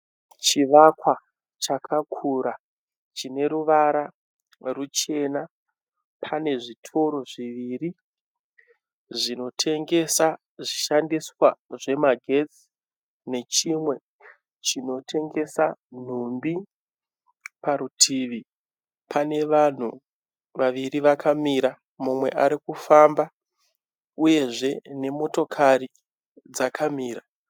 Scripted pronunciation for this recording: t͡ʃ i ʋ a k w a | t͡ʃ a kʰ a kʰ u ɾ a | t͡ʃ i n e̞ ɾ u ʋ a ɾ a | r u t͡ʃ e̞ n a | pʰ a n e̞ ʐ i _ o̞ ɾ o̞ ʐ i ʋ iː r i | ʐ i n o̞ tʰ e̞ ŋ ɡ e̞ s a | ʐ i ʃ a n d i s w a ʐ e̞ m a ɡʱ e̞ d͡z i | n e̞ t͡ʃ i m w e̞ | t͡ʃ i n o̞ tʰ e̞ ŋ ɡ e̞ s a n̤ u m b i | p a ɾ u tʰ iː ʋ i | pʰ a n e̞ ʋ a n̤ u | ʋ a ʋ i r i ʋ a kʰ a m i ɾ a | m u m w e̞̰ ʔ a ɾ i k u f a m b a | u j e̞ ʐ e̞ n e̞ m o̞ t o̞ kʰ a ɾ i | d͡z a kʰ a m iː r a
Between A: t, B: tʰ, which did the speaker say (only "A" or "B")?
B